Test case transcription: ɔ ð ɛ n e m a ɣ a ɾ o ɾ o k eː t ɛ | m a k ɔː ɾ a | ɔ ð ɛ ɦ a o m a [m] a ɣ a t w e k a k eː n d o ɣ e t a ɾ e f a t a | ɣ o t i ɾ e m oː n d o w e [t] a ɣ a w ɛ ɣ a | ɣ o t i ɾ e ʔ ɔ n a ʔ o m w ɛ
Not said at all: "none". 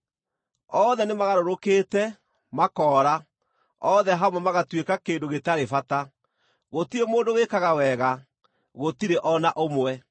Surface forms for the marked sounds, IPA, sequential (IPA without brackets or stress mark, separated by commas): m, k